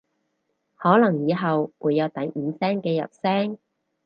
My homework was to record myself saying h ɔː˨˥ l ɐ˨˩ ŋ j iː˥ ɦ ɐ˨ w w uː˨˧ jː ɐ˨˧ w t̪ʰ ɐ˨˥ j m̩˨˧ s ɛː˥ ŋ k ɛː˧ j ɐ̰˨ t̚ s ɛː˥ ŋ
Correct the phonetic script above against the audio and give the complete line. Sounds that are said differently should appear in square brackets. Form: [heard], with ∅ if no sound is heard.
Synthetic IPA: h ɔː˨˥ l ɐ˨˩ ŋ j [iː˨˧] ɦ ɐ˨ w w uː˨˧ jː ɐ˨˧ w [t̪] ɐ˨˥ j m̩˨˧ s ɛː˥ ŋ k ɛː˧ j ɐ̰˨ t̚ s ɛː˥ ŋ